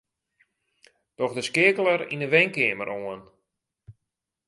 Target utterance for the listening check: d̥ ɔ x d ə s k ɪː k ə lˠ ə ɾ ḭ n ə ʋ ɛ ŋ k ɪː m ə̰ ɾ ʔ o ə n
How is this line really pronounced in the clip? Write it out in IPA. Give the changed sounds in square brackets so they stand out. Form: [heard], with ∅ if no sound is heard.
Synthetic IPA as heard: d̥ ɔ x d ə s k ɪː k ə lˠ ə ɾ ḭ n ə ʋ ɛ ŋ k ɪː m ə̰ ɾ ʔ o ə n